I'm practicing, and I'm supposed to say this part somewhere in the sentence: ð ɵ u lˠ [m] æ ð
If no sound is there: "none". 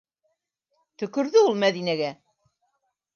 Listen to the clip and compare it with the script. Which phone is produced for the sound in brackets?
m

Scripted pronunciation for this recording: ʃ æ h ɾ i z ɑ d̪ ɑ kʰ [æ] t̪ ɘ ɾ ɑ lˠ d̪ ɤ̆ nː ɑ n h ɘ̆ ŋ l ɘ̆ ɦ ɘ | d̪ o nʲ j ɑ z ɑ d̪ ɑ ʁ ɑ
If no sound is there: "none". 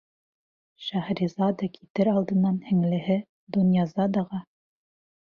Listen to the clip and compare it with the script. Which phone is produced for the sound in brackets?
i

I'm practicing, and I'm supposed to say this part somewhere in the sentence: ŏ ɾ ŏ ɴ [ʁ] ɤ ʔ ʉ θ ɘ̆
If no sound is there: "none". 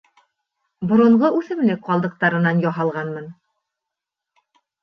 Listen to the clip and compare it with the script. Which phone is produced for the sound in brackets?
ʁ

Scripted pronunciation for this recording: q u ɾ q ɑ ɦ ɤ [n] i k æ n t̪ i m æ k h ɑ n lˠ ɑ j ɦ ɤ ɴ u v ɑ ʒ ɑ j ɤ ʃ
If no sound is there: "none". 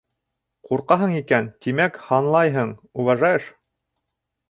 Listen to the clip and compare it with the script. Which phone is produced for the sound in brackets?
ɴ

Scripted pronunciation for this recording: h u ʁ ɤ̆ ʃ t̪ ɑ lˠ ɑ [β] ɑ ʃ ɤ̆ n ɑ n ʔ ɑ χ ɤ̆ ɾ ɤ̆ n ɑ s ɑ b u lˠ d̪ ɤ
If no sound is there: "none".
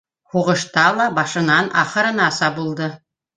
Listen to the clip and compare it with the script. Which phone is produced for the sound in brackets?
b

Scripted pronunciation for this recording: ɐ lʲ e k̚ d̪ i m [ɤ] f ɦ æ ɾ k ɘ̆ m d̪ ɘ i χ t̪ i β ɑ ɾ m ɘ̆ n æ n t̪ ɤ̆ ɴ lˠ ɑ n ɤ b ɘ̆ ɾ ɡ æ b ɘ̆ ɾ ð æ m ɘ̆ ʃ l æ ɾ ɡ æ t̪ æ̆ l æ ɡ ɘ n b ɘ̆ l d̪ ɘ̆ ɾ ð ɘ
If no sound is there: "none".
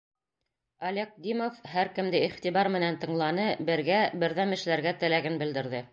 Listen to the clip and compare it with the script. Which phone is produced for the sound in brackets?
o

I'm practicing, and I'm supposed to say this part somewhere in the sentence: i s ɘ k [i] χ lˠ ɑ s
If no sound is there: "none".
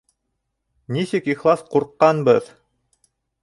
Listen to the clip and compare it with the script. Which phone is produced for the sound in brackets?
i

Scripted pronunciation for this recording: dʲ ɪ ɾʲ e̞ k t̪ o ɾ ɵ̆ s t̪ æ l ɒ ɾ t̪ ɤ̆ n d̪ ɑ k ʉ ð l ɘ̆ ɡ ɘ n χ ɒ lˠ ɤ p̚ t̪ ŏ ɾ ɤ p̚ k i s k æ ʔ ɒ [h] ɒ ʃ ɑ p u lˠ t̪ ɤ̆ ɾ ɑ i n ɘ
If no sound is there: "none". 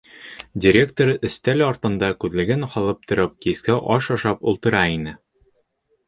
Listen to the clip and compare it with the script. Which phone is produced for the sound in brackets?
ʃ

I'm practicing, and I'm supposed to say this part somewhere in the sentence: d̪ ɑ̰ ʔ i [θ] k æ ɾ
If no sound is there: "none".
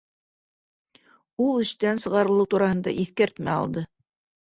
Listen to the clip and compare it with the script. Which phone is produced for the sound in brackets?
θ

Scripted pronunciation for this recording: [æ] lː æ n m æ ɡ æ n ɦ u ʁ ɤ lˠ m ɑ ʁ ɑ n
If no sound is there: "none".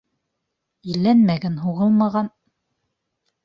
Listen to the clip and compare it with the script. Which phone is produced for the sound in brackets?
i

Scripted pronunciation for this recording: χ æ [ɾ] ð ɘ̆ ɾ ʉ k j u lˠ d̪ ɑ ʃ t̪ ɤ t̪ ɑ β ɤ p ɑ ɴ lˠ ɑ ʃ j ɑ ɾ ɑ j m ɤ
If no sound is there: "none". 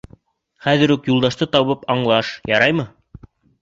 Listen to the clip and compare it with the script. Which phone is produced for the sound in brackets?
none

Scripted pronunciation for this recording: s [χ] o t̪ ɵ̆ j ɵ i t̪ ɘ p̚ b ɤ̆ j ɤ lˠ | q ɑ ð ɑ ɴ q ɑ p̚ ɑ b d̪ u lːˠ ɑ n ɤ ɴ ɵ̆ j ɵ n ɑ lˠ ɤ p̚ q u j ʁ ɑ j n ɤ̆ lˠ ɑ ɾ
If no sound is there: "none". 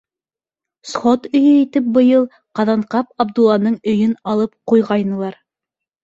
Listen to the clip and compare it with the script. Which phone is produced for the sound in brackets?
χ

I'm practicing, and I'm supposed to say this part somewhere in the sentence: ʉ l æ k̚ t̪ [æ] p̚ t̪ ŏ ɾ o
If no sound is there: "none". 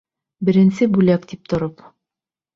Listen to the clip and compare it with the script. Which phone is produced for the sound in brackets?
i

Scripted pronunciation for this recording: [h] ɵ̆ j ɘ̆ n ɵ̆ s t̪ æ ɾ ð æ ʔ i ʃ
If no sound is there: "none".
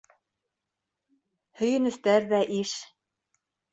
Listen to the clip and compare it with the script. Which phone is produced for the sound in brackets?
h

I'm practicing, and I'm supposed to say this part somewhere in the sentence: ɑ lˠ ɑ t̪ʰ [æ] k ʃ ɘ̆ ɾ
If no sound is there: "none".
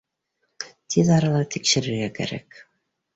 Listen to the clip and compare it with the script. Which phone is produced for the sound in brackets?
i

